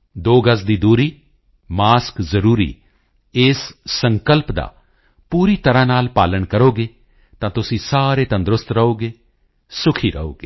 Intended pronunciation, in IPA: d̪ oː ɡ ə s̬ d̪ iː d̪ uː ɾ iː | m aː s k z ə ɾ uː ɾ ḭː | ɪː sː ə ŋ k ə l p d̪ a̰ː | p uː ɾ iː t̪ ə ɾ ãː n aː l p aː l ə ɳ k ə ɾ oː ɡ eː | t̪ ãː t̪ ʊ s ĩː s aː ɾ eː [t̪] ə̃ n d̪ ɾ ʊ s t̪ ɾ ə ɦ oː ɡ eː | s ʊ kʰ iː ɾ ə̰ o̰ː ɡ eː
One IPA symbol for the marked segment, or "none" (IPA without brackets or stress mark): t̪